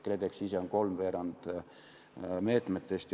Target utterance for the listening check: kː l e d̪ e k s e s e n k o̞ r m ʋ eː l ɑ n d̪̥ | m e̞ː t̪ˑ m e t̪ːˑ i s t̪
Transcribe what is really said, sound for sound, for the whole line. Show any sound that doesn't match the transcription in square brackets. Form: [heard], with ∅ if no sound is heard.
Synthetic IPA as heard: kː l e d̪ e k s [i] s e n k o̞ [l] m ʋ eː [ɾ] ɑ n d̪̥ | m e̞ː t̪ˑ m e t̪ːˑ [e] s t̪